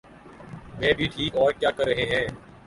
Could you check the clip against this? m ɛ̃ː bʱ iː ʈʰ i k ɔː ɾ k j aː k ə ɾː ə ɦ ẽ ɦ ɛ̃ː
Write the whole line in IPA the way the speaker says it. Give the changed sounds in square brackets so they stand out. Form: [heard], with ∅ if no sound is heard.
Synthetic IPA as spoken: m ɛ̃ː bʱ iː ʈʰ [iː] k ɔː ɾ k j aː k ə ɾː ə ɦ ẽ ɦ ɛ̃ː

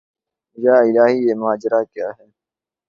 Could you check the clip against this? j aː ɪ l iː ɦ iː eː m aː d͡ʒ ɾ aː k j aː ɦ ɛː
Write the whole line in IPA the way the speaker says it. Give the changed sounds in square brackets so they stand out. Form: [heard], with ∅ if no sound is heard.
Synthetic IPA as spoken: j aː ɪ l [aː] ɦ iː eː m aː d͡ʒ ɾ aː k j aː ɦ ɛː

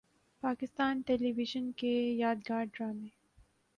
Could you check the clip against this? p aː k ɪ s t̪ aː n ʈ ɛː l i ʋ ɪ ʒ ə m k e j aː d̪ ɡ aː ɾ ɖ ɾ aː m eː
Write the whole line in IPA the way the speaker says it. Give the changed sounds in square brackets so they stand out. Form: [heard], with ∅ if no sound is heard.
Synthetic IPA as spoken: p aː k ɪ s t̪ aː n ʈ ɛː l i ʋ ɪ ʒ ə [n] k e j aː d̪ ɡ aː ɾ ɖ ɾ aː m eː

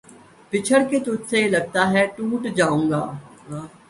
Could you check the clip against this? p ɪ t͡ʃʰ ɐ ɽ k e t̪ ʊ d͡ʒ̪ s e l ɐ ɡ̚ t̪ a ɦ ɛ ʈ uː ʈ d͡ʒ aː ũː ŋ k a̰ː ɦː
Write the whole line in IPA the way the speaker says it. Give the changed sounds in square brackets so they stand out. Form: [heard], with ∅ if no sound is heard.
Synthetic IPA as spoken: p ɪ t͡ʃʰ [ə] ɽ k e t̪ ʊ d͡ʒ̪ s e l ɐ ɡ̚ t̪ a ɦ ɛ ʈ uː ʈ d͡ʒ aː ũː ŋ [ɡ] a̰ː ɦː

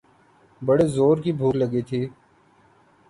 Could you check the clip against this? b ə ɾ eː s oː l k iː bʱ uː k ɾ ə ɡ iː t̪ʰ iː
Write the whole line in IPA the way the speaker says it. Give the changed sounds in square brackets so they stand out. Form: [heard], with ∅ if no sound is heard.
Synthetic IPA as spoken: b ə [ɽ] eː [z] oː [ɾ] k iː bʱ uː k [l] ə ɡ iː t̪ʰ iː

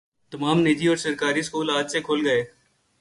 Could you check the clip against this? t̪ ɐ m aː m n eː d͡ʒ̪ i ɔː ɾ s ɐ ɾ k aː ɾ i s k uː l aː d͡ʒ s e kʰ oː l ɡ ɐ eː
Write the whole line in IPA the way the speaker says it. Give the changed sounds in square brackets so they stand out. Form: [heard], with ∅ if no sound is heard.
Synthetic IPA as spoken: t̪ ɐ m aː m n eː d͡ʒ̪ i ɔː ɾ s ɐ ɾ k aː ɾ i s k uː l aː d͡ʒ s e kʰ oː l ɡ ɐ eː

